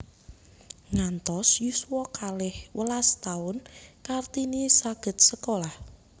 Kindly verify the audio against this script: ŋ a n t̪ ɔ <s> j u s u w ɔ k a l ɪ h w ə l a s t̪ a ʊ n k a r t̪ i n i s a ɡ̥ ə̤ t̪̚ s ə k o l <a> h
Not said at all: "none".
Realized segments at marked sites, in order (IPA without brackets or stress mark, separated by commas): s, a